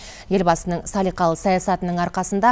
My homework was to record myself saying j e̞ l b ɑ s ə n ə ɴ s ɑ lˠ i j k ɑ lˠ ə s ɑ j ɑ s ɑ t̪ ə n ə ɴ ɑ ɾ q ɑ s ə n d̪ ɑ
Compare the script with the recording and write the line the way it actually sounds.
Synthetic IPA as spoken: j e̞ l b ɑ s ə n ə ɴ s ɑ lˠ i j q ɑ lˠ ə s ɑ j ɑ s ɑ t̪ ə n ə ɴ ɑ ɾ q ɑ s ə n d̪ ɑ